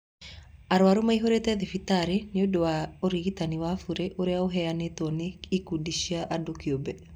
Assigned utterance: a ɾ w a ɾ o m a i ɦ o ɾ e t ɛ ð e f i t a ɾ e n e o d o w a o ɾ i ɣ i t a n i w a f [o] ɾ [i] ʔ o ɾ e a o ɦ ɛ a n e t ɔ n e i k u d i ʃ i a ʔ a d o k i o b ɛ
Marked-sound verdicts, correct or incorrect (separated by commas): incorrect, incorrect